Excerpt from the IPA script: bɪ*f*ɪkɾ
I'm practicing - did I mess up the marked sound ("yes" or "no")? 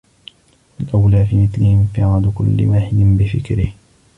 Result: no